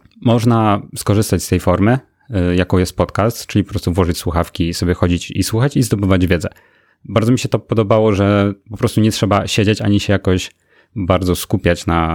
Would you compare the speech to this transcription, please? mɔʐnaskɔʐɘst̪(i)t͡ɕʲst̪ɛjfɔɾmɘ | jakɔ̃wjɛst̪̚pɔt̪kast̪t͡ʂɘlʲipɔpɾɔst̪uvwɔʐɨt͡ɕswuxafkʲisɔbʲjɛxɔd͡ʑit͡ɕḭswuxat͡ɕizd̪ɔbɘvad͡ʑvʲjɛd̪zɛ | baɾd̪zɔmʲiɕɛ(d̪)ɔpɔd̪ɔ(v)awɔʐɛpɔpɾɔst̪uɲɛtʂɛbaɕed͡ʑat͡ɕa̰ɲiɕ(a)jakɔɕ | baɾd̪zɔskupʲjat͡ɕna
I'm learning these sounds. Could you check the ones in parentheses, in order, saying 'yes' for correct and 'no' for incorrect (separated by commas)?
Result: no, no, no, no